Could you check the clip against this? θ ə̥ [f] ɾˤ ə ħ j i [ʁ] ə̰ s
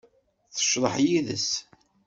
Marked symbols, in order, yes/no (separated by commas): no, no